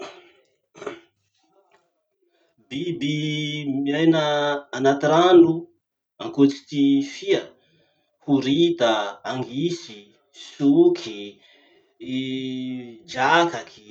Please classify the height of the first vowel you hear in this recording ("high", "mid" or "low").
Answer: high